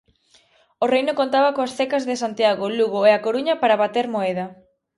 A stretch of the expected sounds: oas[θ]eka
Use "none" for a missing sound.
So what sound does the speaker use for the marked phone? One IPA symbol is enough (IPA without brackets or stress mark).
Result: θ